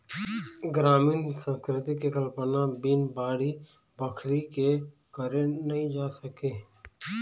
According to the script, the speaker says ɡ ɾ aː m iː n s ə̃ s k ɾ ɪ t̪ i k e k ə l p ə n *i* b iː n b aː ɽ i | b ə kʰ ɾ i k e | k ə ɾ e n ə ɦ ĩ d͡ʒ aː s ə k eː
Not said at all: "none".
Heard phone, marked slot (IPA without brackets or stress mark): a